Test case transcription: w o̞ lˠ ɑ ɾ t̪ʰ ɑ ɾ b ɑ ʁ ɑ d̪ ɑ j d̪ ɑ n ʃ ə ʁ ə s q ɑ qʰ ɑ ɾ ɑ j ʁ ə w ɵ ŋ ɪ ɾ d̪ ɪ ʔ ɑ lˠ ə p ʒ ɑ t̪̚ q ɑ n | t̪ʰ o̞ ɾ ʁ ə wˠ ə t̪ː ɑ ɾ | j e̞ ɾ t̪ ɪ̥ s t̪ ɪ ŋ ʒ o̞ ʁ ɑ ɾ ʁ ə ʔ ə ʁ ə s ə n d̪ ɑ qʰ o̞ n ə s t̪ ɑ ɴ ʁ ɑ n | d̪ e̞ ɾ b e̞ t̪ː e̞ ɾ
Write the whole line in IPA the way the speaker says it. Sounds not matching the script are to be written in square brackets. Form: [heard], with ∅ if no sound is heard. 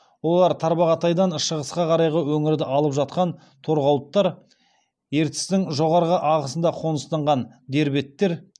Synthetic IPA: w o̞ lˠ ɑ ɾ t̪ʰ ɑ ɾ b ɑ ʁ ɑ [t̪] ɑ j d̪ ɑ n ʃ ə ʁ ə s q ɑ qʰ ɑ ɾ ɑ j ʁ ə w ɵ ŋ ɪ ɾ d̪ ɪ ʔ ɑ lˠ ə p ʒ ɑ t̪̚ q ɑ n | t̪ʰ o̞ ɾ ʁ [ɑ] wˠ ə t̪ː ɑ ɾ | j e̞ ɾ t̪ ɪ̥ s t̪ ɪ ŋ ʒ o̞ ʁ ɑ ɾ ʁ ə ʔ [ɑ] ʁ ə s ə n d̪ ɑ qʰ o̞ n ə s t̪ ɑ ɴ ʁ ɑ n | d̪ e̞ ɾ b e̞ t̪ː e̞ ɾ

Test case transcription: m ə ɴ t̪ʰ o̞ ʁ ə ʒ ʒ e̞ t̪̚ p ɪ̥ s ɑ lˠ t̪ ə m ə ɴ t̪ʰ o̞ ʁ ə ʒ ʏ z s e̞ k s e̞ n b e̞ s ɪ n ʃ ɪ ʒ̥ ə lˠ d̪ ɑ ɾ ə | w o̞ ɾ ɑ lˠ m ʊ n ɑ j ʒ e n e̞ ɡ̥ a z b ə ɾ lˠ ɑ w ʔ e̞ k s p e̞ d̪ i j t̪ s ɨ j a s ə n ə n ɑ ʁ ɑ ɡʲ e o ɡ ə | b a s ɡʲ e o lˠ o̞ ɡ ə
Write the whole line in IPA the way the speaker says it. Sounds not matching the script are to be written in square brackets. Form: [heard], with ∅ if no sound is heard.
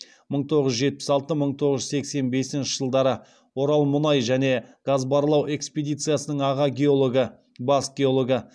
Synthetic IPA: m ə ɴ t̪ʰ o̞ ʁ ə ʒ ʒ e̞ t̪̚ p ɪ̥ s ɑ lˠ t̪ ə m ə ɴ t̪ʰ o̞ ʁ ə ʒ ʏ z s e̞ k s e̞ n b e̞ s ɪ n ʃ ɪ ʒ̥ ə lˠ d̪ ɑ ɾ ə | w o̞ ɾ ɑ lˠ m ʊ n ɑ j ʒ [æ] n e̞ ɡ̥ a z b [ɑ] ɾ lˠ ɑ w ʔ e̞ k s p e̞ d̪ i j t̪ s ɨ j a s ə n ə [ɴ] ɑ ʁ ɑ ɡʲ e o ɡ ə | b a s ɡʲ e o lˠ o̞ ɡ ə

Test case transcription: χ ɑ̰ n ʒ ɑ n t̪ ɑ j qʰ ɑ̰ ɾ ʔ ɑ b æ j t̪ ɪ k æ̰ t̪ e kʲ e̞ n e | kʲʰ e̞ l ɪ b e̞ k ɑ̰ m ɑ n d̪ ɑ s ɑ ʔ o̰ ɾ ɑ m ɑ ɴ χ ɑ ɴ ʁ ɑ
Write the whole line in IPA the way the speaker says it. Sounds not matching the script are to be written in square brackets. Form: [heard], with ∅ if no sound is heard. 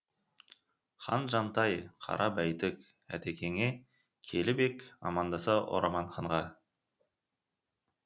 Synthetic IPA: χ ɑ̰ n ʒ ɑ n t̪ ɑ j qʰ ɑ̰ ɾ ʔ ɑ b æ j t̪ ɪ k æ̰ t̪ e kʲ e̞ [ŋ] e | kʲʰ e̞ l ɪ b e̞ k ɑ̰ m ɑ n d̪ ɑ s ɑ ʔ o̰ ɾ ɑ m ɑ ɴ χ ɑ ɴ ʁ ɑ

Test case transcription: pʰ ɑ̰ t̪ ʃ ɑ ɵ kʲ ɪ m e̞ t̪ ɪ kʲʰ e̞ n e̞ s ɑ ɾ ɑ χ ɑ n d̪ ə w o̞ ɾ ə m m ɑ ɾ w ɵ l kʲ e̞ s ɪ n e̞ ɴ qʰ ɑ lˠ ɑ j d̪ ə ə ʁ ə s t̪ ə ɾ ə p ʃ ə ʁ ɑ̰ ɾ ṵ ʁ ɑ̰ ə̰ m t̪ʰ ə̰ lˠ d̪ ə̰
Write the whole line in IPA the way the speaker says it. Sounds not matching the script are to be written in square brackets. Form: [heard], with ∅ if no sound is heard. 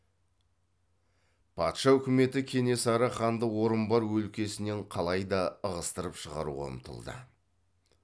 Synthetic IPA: pʰ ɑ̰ t̪ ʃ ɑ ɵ kʲ ɪ m e̞ t̪ ɪ kʲʰ e̞ n e̞ s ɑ ɾ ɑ χ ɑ n d̪ ə w o̞ ɾ ə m [b] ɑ ɾ w ɵ l kʲ e̞ s ɪ n e̞ ɴ qʰ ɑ lˠ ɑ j d̪ [ɑ] ə ʁ ə s t̪ ə ɾ ə p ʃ ə ʁ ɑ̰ ɾ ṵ ʁ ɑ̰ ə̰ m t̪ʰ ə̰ lˠ d̪ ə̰

